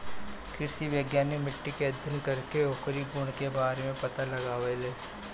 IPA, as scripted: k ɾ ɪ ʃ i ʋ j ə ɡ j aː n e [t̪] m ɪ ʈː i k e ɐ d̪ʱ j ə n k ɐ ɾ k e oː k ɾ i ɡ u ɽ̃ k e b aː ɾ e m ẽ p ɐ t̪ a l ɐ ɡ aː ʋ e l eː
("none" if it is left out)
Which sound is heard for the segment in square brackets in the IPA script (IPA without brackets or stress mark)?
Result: none